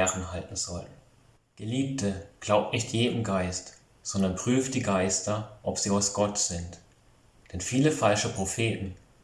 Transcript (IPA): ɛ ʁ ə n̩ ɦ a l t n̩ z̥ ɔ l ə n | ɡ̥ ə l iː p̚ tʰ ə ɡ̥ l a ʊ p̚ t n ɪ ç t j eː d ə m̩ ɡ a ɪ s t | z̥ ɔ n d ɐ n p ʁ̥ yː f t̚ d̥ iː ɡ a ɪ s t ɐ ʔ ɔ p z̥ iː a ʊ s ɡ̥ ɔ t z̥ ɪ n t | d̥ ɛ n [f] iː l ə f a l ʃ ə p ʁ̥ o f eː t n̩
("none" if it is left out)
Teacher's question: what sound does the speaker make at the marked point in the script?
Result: f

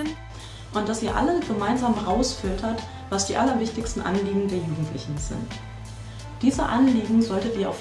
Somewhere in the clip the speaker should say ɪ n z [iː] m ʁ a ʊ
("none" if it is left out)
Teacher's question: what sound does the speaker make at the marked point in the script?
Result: aː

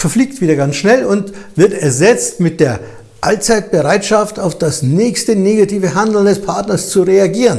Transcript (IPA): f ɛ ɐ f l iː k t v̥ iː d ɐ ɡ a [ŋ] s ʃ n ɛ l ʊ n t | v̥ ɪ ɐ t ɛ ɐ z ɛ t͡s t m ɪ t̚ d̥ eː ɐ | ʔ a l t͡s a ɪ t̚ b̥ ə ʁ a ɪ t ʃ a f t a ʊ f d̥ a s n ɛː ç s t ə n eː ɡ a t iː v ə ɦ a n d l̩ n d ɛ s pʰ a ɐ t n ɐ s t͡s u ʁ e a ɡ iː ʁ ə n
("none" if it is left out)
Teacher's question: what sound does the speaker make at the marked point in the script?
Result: n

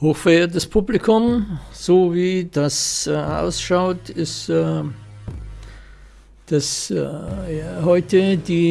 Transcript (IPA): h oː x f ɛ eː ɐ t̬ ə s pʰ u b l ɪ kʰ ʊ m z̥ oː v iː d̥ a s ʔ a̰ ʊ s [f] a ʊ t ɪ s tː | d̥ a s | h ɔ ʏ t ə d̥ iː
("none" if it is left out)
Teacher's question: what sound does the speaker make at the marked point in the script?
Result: ʃ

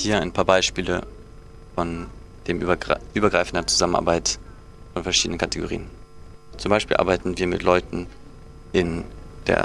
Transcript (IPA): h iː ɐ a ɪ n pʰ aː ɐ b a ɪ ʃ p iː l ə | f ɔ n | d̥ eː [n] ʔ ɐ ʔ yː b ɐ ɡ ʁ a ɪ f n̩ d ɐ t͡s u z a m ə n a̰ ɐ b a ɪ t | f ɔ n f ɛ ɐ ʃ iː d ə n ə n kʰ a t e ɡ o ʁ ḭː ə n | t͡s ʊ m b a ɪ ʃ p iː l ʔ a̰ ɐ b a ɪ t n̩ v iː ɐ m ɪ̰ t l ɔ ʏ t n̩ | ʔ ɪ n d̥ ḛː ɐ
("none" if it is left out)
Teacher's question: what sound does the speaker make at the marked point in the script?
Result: m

